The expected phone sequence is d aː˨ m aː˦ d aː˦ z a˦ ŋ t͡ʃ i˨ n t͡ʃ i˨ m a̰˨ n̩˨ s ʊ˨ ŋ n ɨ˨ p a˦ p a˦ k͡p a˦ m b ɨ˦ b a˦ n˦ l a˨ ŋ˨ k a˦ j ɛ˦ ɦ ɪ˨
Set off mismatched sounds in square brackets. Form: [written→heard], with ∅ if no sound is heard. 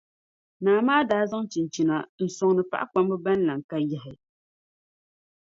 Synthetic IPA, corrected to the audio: [d→n] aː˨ m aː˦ d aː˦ z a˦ ŋ t͡ʃ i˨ n t͡ʃ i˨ [m→n] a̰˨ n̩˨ s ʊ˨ ŋ n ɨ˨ p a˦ [p→ʔ] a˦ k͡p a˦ m b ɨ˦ b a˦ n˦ l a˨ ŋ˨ k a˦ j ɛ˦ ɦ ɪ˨